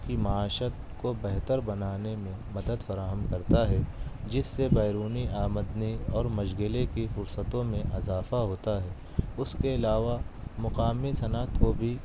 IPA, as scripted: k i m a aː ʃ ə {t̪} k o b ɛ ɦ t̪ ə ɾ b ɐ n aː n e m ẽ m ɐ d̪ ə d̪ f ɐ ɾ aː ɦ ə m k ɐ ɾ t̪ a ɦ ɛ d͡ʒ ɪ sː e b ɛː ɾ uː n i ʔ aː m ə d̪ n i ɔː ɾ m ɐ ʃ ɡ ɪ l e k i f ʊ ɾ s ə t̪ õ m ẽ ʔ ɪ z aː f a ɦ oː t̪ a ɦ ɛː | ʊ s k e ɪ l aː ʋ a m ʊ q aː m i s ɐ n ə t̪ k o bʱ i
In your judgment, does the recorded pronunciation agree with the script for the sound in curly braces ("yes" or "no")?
yes